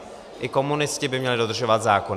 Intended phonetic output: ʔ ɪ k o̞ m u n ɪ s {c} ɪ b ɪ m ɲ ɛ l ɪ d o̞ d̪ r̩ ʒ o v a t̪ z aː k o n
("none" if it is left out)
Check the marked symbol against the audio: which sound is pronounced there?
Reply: c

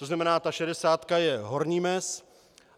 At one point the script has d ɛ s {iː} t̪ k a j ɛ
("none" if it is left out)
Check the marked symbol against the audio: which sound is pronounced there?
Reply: aː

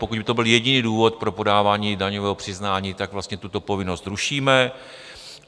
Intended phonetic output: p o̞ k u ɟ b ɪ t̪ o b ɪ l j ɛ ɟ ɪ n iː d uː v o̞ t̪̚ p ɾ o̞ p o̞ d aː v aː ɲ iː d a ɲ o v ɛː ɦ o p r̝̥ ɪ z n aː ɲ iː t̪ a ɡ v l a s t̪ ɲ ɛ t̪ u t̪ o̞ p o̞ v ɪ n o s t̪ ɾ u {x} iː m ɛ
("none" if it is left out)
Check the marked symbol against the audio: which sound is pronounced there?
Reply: ʃ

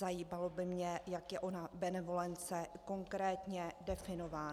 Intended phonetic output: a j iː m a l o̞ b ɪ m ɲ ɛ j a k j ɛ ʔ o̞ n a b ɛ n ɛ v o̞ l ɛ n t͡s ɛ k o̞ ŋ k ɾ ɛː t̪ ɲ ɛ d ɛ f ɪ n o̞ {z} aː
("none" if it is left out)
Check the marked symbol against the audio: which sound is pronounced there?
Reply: v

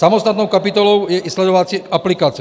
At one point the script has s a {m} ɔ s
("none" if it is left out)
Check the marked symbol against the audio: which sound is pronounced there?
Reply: m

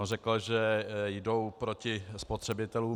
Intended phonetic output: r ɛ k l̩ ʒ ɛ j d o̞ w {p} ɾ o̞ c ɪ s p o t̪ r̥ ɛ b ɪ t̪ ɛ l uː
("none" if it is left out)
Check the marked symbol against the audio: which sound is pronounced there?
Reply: p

